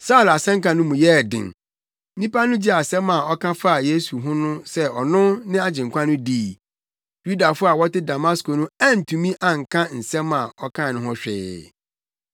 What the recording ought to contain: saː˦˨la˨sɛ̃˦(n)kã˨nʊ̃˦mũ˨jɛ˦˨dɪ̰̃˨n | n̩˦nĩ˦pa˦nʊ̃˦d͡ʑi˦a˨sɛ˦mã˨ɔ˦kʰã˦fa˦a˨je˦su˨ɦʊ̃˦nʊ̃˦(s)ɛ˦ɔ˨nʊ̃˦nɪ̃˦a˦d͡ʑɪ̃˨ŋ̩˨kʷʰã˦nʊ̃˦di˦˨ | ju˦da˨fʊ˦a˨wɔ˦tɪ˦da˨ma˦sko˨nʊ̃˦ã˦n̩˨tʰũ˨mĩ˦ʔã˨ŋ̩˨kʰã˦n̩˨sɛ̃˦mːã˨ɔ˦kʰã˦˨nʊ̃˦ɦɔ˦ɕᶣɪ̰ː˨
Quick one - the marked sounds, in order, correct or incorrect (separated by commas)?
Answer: incorrect, correct